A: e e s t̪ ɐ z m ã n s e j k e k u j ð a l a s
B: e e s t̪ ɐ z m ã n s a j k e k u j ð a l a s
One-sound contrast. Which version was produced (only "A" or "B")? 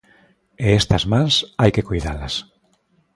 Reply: B